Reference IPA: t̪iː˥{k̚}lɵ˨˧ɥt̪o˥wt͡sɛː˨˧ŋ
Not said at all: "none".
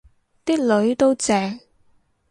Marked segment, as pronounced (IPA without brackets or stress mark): k̚